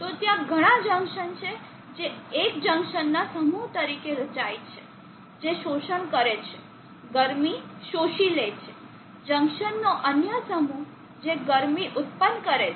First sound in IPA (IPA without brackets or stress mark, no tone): t̪